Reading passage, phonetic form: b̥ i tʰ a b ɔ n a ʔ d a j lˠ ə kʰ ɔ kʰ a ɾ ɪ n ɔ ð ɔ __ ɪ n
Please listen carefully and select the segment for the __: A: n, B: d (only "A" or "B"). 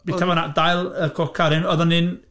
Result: A